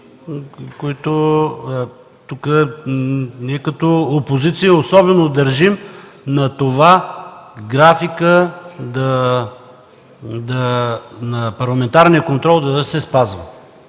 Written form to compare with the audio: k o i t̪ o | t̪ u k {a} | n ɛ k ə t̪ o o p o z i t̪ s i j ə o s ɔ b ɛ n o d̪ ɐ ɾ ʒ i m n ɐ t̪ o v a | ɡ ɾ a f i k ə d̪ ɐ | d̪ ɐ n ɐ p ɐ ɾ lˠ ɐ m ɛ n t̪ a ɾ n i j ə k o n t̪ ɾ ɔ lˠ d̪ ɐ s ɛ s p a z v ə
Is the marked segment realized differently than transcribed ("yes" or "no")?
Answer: yes